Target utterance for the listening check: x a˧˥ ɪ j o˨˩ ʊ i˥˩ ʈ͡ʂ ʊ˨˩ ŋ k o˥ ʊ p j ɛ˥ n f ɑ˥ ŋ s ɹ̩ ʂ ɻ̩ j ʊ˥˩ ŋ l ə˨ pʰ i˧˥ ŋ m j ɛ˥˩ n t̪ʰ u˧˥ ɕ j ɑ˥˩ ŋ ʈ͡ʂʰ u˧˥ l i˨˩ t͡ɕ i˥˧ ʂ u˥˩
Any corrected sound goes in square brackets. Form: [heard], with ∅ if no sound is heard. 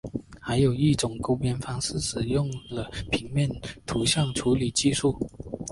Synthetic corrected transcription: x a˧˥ ɪ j o˨˩ ʊ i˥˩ ʈ͡ʂ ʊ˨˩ ŋ k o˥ ʊ p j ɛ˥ n f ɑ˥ ŋ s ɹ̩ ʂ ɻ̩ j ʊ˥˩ ŋ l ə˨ pʰ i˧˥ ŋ m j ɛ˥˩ n t̪ʰ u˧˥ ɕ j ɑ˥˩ ŋ ʈ͡ʂʰ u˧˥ l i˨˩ t͡ɕ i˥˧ ʂ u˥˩